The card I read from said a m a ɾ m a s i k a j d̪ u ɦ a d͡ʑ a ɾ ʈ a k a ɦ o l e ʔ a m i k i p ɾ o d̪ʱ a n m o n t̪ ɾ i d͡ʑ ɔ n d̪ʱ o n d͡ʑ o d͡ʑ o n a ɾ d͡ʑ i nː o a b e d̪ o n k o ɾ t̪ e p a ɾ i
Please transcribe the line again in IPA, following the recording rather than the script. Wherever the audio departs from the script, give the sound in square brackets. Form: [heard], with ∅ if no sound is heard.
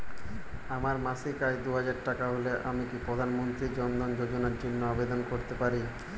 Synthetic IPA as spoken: a m a ɾ m a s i k a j d̪ u ɦ a d͡ʑ a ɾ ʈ a k a ɦ o l e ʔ a m i k i p ɾ o d̪ʱ a n m o n t̪ ɾ i d͡ʑ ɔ n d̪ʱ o n d͡ʑ o d͡ʑ o n a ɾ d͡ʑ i nː o a b e d̪ o n k o ɾ t̪ e p a ɾ i

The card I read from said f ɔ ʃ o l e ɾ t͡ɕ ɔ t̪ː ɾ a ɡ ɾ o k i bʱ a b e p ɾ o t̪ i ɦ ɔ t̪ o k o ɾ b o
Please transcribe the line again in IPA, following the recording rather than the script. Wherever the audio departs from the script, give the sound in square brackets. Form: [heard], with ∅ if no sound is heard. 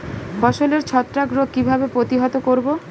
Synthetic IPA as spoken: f ɔ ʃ o l e ɾ [t͡ɕʰ] ɔ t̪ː ɾ a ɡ ɾ o k i bʱ a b e p ɾ o t̪ i ɦ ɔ t̪ o k o ɾ b o

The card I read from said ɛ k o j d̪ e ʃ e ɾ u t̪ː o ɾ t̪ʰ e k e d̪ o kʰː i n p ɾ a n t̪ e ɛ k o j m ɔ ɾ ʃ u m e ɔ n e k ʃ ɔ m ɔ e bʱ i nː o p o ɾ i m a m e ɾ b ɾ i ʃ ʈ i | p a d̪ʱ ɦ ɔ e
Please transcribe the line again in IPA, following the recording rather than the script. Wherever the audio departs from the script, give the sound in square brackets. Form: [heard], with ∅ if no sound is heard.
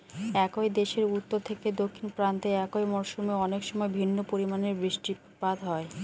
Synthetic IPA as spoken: ɛ k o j d̪ e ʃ e ɾ u t̪ː o ɾ t̪ʰ e k e d̪ o kʰː i n p ɾ a n t̪ e ɛ k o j m ɔ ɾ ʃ u m e ɔ n e k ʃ ɔ m ɔ e bʱ i nː o p o ɾ i m a [n] e ɾ b ɾ i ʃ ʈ i | p a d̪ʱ ɦ ɔ e

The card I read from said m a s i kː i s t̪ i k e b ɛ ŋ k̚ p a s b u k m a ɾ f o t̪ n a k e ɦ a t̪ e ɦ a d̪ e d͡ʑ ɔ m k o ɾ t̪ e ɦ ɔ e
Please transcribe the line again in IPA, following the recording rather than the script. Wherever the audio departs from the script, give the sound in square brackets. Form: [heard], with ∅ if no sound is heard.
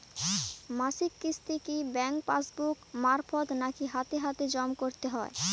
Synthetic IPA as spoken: m a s i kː i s t̪ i k [i] b ɛ ŋ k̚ p a s b u k m a ɾ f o t̪ n a k [i] ɦ a t̪ e ɦ a [t̪] e d͡ʑ ɔ m k o ɾ t̪ e ɦ ɔ e

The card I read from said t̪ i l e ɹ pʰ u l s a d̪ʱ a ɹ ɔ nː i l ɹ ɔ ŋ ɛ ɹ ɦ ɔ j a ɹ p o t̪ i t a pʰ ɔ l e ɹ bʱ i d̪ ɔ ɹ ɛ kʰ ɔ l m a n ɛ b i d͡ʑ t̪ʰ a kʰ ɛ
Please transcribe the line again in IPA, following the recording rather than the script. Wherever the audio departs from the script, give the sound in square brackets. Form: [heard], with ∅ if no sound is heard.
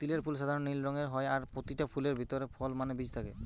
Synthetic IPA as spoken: t̪ i l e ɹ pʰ u l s a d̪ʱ a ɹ ɔ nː i l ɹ ɔ ŋ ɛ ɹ ɦ ɔ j a ɹ p o t̪ i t a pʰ [u] l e ɹ bʱ i [t̪] ɔ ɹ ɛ [pʰ] ɔ l m a n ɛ b i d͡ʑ t̪ʰ a [k] ɛ

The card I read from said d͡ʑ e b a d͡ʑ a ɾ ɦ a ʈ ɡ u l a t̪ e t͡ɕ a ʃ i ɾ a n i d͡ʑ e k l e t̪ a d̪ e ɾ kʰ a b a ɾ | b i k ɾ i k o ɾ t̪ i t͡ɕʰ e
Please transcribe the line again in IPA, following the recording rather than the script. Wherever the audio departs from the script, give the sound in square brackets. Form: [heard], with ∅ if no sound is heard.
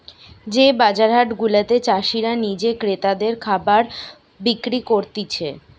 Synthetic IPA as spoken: d͡ʑ e b a d͡ʑ a ɾ ɦ a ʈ ɡ u l a t̪ e t͡ɕ a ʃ i ɾ a n i d͡ʑ e k [ɾ] e t̪ a d̪ e ɾ kʰ a b a ɾ | b i k ɾ i k o ɾ t̪ i t͡ɕʰ e

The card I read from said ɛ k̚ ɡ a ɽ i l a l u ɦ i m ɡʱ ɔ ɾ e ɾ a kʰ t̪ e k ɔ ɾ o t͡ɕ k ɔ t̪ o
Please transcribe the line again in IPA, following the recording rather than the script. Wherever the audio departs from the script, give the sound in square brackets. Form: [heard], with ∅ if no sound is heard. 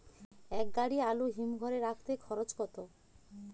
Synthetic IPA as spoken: ɛ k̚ ɡ a ɽ i [∅] a l u ɦ i m ɡʱ ɔ ɾ e ɾ a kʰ t̪ e [kʰ] ɔ ɾ o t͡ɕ k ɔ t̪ o

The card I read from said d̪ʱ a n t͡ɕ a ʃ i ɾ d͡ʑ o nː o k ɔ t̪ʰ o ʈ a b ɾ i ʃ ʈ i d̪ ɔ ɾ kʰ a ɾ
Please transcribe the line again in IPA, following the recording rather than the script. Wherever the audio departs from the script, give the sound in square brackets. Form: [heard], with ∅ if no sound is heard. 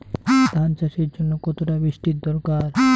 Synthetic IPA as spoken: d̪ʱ a n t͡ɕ a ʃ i ɾ d͡ʑ o nː o k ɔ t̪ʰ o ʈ a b ɾ i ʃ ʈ i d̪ ɔ ɾ [k] a ɾ

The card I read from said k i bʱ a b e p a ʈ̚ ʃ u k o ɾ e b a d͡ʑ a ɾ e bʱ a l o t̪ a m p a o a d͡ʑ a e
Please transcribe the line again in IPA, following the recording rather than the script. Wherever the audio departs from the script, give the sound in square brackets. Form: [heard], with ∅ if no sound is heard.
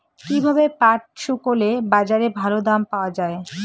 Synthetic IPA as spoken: k i bʱ a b e p a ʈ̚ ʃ u k o [l] e b a d͡ʑ a ɾ e bʱ a l o [d̪] a m p a o a d͡ʑ a e

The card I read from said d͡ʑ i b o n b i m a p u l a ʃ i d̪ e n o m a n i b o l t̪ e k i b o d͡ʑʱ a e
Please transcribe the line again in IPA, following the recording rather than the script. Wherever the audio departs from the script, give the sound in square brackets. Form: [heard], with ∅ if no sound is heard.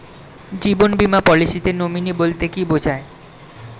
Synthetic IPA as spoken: d͡ʑ i b o n b i m a p [ɔ] l [i] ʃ i [t̪] e n o m [i] n i b o l t̪ e k i b o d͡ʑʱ a e

